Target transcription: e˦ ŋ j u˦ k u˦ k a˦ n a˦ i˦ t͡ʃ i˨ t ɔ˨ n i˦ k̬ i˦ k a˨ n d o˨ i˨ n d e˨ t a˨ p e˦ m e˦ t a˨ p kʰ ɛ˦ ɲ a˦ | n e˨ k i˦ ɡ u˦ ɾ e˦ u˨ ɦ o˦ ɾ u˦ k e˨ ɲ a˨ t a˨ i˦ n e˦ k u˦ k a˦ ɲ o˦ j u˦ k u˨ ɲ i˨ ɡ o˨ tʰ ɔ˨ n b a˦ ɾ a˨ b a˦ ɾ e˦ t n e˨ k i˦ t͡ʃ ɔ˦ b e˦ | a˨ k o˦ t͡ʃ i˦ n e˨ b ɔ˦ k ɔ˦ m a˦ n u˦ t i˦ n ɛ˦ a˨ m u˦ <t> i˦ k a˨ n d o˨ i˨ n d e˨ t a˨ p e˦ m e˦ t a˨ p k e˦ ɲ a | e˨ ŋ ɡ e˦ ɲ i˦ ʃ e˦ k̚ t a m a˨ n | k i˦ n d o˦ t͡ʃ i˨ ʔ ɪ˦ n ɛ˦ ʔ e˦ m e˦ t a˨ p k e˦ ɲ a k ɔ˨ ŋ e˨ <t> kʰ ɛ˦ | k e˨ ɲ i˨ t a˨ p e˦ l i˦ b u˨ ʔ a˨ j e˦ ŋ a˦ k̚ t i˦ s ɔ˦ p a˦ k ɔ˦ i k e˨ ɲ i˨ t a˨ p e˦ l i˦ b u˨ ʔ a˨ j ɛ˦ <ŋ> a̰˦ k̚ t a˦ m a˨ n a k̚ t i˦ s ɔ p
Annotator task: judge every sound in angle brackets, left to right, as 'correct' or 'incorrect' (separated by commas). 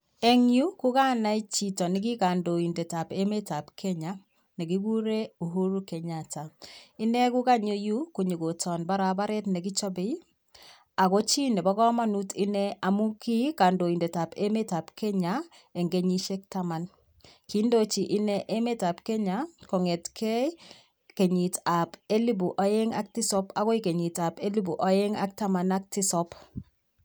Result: incorrect, correct, correct